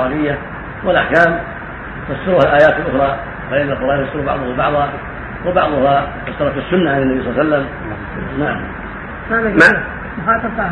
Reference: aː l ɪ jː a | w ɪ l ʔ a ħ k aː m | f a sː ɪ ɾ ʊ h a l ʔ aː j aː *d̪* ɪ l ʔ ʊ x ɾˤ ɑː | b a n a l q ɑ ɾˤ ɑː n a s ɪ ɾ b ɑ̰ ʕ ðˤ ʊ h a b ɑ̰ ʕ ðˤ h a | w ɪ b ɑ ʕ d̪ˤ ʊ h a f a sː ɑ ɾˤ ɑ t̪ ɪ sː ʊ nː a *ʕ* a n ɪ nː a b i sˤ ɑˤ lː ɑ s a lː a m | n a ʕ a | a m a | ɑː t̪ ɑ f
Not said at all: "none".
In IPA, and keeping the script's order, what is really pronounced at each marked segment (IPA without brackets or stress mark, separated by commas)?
t̪, ʕ